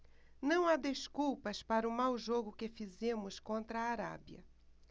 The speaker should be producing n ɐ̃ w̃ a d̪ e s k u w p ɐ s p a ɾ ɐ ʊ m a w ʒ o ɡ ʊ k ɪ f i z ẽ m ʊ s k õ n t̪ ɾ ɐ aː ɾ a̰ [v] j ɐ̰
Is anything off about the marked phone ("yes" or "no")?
yes